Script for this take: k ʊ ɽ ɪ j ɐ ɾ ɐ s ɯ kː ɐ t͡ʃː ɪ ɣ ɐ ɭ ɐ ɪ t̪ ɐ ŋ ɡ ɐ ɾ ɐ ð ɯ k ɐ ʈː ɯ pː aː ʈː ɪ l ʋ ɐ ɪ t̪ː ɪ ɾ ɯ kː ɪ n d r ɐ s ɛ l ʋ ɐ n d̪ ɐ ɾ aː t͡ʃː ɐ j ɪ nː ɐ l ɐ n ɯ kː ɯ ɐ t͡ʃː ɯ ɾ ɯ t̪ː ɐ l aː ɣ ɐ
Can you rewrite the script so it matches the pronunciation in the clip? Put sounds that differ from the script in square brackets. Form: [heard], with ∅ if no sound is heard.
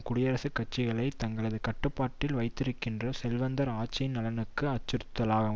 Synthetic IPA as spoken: k ʊ ɽ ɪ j ɐ ɾ ɐ s ɯ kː ɐ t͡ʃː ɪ ɣ ɐ ɭ ɐ ɪ t̪ ɐ ŋ ɡ ɐ [ɭ] ɐ ð ɯ k ɐ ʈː ɯ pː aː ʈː ɪ l ʋ ɐ ɪ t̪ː ɪ ɾ ɯ kː ɪ n d r ɐ s ɛ l ʋ ɐ n d̪ ɐ ɾ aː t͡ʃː ɐ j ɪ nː ɐ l ɐ n ɯ kː ɯ ɐ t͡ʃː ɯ ɾ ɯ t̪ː ɐ l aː ɣ ɐ